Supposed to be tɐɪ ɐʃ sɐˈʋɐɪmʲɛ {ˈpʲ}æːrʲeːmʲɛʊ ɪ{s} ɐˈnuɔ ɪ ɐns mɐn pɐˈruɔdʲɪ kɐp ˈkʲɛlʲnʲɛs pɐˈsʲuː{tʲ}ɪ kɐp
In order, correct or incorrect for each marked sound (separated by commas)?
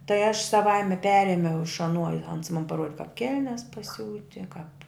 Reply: correct, incorrect, correct